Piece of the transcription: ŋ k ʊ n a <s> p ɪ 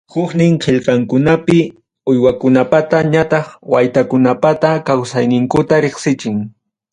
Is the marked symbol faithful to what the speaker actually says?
no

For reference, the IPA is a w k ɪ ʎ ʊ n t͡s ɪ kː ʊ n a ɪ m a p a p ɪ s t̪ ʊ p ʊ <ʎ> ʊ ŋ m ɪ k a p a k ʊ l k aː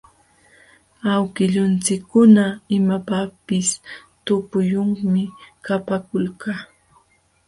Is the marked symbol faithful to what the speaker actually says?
no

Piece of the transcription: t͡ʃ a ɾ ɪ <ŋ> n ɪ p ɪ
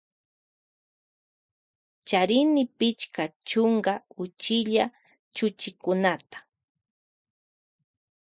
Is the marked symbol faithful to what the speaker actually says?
no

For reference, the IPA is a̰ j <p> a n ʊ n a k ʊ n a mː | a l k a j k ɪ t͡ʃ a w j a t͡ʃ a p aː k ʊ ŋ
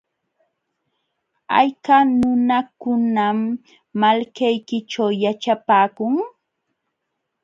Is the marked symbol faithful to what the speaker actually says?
no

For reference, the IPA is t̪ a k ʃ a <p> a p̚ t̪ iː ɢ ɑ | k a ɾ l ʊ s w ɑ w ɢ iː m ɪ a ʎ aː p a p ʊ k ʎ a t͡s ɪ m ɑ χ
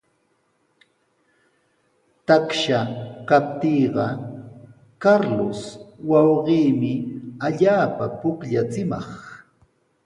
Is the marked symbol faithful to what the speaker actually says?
no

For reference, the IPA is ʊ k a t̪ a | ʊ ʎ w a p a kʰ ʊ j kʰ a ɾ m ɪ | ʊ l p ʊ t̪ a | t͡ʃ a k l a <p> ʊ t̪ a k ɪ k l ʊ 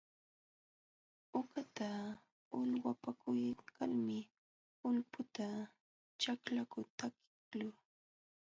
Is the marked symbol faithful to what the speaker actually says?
no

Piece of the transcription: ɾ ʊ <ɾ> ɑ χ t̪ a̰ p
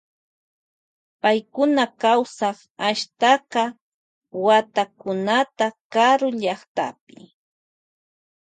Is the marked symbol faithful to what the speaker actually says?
no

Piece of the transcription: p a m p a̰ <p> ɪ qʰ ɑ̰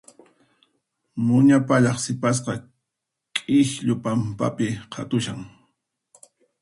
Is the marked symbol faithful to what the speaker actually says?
yes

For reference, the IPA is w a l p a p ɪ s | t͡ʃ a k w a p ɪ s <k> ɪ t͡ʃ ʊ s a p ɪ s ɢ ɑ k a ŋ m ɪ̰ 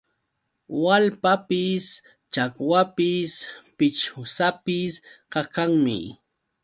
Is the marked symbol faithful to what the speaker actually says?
no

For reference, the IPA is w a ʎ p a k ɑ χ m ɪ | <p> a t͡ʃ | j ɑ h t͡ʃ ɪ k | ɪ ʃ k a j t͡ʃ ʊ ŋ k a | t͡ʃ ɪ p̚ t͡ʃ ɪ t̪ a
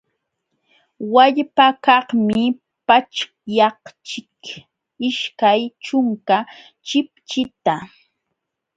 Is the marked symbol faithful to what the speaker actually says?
yes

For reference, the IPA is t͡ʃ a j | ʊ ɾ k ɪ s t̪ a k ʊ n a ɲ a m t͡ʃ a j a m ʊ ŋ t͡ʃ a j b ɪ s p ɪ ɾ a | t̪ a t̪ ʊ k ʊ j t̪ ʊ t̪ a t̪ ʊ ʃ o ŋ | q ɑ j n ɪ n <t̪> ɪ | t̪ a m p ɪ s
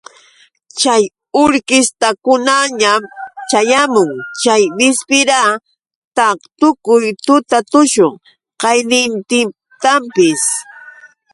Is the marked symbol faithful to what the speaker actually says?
yes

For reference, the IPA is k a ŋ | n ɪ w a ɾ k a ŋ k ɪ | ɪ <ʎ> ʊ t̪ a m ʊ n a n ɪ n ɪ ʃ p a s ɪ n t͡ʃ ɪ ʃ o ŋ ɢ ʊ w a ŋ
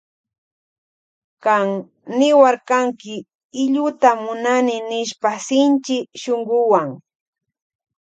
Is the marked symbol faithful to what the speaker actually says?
yes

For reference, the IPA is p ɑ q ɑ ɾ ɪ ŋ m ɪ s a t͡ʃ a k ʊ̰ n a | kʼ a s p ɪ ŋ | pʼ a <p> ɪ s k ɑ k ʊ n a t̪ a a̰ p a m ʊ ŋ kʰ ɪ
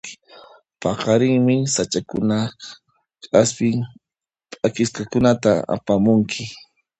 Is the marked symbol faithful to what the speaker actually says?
no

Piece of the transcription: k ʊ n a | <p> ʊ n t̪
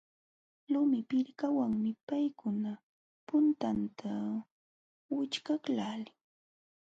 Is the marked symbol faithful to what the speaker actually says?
yes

